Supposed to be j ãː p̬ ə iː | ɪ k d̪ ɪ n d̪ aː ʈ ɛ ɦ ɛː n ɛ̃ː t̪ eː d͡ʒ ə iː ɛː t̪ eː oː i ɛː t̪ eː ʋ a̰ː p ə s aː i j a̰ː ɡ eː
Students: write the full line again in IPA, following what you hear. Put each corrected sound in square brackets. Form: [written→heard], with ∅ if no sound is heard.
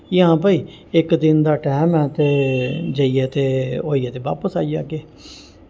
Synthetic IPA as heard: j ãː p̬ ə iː | ɪ k d̪ ɪ n d̪ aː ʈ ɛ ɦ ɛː [n→m] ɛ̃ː t̪ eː d͡ʒ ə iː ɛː t̪ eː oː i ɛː t̪ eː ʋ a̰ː p ə s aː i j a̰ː ɡ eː